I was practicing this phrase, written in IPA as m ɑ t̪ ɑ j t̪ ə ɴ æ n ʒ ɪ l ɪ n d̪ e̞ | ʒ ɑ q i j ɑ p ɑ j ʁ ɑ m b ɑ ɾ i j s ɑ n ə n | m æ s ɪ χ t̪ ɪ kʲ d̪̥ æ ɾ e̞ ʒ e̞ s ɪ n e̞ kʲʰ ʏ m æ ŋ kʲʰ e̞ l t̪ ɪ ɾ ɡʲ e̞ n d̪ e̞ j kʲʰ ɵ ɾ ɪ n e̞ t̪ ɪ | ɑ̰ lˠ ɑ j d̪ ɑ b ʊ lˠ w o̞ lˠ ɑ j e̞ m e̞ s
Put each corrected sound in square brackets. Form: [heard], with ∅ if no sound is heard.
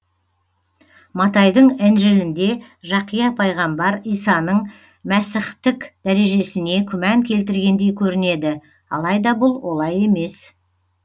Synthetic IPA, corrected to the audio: m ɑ t̪ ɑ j [d̪] ə ɴ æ n ʒ ɪ l ɪ n d̪ e̞ | ʒ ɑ q i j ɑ [pʰ] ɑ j ʁ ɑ m b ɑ ɾ i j s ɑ n ə [ɴ] | m æ s ɪ χ t̪ ɪ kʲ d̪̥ æ ɾ e̞ ʒ e̞ s ɪ n e̞ kʲʰ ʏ m æ ŋ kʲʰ e̞ l t̪ ɪ ɾ ɡʲ e̞ n d̪ e̞ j kʲʰ ɵ ɾ ɪ n e̞ [d̪] ɪ | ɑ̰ lˠ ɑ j d̪ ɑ b ʊ lˠ w o̞ lˠ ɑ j e̞ m e̞ s